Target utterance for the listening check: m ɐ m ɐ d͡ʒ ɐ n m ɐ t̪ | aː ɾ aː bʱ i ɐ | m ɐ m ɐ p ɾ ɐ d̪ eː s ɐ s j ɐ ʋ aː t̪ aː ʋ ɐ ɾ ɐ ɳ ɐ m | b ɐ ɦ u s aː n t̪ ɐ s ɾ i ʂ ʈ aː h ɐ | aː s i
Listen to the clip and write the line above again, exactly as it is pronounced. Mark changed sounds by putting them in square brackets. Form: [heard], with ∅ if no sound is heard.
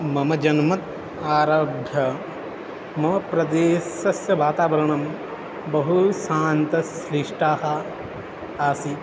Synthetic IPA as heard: m ɐ m ɐ d͡ʒ ɐ n m ɐ t̪ | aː ɾ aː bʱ [j] ɐ | m ɐ m ɐ p ɾ ɐ d̪ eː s ɐ s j ɐ ʋ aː t̪ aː ʋ ɐ ɾ ɐ ɳ ɐ m | b ɐ ɦ u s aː n t̪ ɐ s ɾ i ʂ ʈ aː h ɐ | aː s i